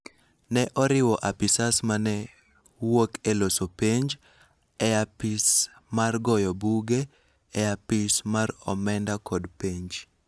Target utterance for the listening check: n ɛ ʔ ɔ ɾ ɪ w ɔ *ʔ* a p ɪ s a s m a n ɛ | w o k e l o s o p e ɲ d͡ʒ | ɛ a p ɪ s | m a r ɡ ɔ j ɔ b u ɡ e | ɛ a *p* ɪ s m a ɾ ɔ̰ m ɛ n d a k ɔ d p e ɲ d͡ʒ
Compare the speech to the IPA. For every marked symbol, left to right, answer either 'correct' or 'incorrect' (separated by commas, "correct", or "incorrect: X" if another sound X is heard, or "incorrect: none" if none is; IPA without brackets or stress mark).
correct, correct